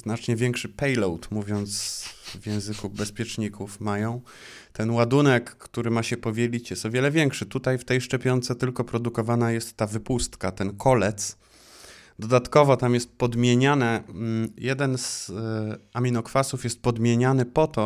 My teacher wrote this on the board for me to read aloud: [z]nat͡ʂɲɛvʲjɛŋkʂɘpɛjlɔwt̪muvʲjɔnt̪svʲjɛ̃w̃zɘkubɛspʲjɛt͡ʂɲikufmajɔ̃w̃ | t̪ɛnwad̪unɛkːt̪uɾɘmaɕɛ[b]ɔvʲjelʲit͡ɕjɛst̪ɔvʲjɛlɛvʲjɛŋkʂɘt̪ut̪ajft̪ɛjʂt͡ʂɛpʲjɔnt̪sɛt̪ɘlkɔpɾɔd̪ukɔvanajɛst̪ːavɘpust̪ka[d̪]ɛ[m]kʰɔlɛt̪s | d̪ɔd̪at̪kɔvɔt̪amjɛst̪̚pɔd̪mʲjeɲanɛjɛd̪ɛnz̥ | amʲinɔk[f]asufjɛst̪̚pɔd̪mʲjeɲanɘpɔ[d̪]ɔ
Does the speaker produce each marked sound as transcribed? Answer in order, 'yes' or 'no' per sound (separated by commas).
yes, no, no, no, yes, no